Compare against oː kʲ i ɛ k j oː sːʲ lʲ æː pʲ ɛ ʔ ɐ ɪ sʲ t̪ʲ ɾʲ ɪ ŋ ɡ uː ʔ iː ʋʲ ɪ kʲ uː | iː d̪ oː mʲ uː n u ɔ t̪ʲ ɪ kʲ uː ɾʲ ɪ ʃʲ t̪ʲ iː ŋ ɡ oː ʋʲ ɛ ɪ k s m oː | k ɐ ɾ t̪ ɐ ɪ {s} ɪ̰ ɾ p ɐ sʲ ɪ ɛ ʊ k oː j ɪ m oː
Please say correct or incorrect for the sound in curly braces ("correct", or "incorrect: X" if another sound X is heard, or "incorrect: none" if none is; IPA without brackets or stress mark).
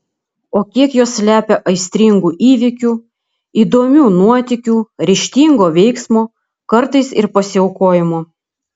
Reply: correct